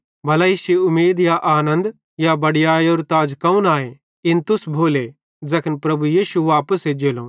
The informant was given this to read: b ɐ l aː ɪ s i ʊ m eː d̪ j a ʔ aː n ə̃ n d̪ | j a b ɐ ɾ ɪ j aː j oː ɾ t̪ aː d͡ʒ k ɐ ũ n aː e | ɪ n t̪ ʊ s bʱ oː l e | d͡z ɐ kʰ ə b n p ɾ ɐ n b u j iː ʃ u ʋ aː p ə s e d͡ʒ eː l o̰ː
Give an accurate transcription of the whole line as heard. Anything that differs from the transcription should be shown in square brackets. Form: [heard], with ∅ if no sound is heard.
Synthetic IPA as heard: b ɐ l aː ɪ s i ʊ m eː d̪ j a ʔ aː n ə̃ n d̪ | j a b ɐ [ɽ] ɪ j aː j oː ɾ t̪ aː d͡ʒ k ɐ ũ n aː e | ɪ n t̪ ʊ s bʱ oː l e | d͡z ɐ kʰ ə [∅] n p ɾ ɐ [∅] b u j iː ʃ u ʋ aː p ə s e d͡ʒ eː l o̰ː